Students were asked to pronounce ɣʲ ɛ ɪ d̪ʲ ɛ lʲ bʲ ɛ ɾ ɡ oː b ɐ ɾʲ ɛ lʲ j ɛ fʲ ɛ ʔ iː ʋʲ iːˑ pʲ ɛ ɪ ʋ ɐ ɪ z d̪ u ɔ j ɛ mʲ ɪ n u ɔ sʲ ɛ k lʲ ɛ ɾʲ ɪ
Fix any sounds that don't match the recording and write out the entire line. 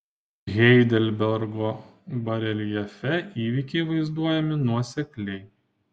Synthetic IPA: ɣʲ ɛ ɪ d̪ʲ ɛ lʲ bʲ ɛ ɾ ɡ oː b ɐ ɾʲ ɛ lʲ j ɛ fʲ ɛ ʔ iː ʋʲ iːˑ kʲ ɛ ɪ ʋ ɐ ɪ z d̪ u ɔ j ɛ mʲ ɪ n u ɔ sʲ ɛ k lʲ ɛ ɪ

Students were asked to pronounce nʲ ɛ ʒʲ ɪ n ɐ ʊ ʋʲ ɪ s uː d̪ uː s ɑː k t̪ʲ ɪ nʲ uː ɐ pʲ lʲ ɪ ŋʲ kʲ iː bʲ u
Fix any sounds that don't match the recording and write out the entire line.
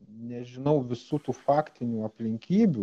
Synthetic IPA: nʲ ɛ ʒʲ ɪ n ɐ ʊ ʋʲ ɪ s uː t̪ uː f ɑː k t̪ʲ ɪ nʲ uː ɐ pʲ lʲ ɪ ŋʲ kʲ iː bʲ u

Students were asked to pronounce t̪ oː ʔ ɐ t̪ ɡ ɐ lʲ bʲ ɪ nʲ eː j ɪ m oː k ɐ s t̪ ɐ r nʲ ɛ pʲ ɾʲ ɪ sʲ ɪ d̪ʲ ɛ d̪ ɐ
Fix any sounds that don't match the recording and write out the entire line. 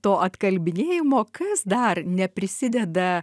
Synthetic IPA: t̪ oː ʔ ɐ t̪ k ɐ lʲ bʲ ɪ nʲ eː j ɪ m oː k ɐ s d̪ ɐ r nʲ ɛ pʲ ɾʲ ɪ sʲ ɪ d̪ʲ ɛ d̪ ɐ

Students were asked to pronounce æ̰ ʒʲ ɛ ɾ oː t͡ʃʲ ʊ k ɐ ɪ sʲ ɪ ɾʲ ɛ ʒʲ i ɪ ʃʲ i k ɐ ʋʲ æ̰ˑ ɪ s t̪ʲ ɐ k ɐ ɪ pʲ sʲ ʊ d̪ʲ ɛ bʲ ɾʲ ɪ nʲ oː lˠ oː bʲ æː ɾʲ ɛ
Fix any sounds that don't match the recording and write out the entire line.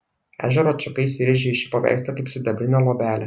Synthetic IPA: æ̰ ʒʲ ɛ ɾ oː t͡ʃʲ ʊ k ɐ ɪ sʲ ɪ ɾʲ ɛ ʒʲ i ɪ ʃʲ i p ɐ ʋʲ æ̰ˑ ɪ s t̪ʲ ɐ k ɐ ɪ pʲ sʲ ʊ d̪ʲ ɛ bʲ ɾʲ ɪ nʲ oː lˠ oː bʲ æː lʲ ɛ

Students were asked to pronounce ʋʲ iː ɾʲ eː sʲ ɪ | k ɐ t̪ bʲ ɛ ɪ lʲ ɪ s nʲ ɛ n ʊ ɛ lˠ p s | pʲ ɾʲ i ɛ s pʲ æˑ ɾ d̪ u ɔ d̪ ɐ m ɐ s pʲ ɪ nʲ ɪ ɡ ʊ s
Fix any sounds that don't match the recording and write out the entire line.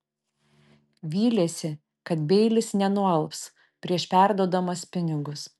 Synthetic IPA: ʋʲ iː lʲ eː sʲ ɪ | k ɐ t̪ bʲ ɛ ɪ lʲ ɪ s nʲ ɛ n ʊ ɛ lˠ p s | pʲ ɾʲ i ɛ ʃ pʲ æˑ ɾ d̪ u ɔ d̪ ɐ m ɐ s pʲ ɪ nʲ ɪ ɡ ʊ s

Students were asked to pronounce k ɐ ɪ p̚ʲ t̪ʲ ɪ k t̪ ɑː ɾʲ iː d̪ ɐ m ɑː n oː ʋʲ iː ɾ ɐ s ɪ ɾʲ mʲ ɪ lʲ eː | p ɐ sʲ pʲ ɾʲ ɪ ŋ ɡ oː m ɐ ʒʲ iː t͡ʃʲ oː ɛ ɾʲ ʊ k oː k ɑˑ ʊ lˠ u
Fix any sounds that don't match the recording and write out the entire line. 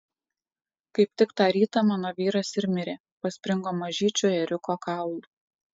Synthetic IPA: k ɐ ɪ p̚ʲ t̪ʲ ɪ k t̪ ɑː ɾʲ iː t̪ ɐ m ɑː n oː ʋʲ iː ɾ ɐ s ɪ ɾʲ mʲ ɪ ɾʲ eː | p ɐ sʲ pʲ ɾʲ ɪ ŋ ɡ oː m ɐ ʒʲ iː t͡ʃʲ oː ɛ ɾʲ ʊ k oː k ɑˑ ʊ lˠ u

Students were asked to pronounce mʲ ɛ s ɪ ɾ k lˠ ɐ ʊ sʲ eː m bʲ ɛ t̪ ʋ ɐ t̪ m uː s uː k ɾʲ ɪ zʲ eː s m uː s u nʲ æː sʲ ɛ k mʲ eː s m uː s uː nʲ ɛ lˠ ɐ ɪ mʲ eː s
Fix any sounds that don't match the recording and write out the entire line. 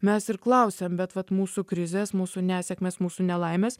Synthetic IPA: mʲ ɛ s ɪ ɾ k lˠ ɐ ʊ sʲ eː m bʲ ɛ t̪ ʋ ɐ t̪ m uː s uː k ɾʲ ɪ zʲ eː s m uː s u nʲ æː sʲ ɛ k mʲ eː s m uː s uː nʲ ɛ lˠ ɐ ɪ mʲ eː s

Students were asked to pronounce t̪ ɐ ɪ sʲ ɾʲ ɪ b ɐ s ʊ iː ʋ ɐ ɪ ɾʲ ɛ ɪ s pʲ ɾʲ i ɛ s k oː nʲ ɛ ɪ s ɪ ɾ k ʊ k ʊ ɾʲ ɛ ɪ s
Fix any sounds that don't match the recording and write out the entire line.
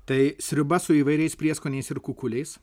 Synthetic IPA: t̪ ɐ ɪ sʲ ɾʲ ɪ b ɐ s ʊ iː ʋ ɐ ɪ ɾʲ ɛ ɪ s pʲ ɾʲ i ɛ s k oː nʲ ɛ ɪ s ɪ ɾ k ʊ k ʊ lʲ ɛ ɪ s

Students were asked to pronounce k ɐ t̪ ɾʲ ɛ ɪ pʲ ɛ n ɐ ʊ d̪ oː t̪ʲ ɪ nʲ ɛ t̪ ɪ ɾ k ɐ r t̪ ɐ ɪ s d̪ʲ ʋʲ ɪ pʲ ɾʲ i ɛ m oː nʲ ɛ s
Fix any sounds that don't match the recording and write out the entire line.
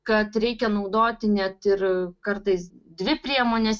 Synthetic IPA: k ɐ t̪ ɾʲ ɛ ɪ kʲ ɛ n ɐ ʊ d̪ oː t̪ʲ ɪ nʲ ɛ t̪ ɪ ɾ k ɐ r t̪ ɐ ɪ s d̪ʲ ʋʲ ɪ pʲ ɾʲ i ɛ m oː nʲ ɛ s

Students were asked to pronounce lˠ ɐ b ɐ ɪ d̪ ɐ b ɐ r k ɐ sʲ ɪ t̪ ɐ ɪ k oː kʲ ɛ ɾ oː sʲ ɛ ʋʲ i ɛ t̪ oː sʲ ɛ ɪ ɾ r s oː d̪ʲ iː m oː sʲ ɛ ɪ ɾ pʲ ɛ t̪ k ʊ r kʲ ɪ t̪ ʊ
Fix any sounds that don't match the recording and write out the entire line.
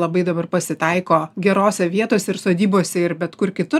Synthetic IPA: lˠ ɐ b ɐ ɪ d̪ ɐ b ɐ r p ɐ sʲ ɪ t̪ ɐ ɪ k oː ɡʲ ɛ ɾ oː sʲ ɛ ʋʲ i ɛ t̪ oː sʲ ɛ ɪ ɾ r s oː d̪ʲ iː b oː sʲ ɛ ɪ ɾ bʲ ɛ t̪ k ʊ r kʲ ɪ t̪ ʊ

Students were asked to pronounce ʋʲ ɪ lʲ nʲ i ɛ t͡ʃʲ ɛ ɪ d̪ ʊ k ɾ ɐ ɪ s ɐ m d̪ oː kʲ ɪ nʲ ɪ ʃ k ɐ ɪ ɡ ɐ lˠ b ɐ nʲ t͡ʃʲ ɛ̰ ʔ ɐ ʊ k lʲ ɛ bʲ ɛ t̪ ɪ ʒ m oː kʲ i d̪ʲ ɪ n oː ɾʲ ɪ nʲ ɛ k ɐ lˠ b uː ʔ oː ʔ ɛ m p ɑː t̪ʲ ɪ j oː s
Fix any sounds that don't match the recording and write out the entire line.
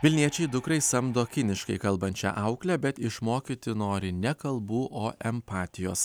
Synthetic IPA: ʋʲ ɪ lʲ nʲ i ɛ t͡ʃʲ ɛ ɪ d̪ ʊ k ɾ ɐ ɪ s ɐ m d̪ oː kʲ ɪ nʲ ɪ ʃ k ɐ ɪ k ɐ lˠ b ɐ nʲ t͡ʃʲ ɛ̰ ʔ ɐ ʊ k lʲ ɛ bʲ ɛ t̪ ɪ ʃ m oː kʲ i t̪ʲ ɪ n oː ɾʲ ɪ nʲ ɛ k ɐ lˠ b uː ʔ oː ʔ ɛ m p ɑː t̪ʲ ɪ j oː s

